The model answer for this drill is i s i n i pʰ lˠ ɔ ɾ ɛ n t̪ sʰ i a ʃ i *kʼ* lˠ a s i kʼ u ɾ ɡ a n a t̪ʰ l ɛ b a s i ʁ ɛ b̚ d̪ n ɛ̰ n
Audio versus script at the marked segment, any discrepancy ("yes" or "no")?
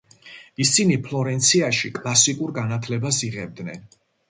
no